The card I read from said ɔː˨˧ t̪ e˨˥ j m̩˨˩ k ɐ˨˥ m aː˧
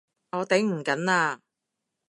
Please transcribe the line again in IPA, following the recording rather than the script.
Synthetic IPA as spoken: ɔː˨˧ t̪ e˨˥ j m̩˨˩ k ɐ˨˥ n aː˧